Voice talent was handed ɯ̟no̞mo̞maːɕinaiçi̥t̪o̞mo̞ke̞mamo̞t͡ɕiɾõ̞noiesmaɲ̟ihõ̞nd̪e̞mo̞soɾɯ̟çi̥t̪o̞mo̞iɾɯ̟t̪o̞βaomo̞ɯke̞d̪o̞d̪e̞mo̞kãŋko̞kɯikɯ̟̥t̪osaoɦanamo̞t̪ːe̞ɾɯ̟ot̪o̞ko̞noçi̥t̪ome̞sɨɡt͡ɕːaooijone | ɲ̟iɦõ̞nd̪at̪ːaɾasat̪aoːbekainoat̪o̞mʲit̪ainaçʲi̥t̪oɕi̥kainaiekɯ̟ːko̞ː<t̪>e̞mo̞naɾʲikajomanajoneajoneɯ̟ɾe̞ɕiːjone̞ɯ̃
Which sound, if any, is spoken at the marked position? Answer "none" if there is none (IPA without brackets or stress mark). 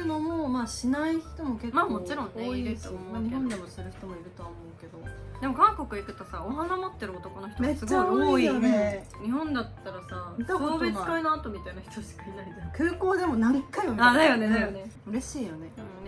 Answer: d̪